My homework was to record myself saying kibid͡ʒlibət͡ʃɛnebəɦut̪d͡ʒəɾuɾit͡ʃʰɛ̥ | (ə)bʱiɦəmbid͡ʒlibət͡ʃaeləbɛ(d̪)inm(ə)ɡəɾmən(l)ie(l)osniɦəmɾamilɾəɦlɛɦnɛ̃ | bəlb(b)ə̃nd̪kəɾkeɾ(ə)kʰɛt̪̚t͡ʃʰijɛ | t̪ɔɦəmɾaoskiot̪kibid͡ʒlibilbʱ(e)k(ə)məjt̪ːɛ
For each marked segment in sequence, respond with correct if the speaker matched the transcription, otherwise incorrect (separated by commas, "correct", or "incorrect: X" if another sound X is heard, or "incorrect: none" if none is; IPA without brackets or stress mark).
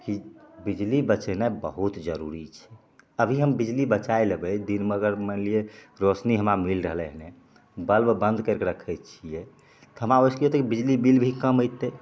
correct, correct, correct, correct, incorrect: ɾ, correct, correct, incorrect: i, correct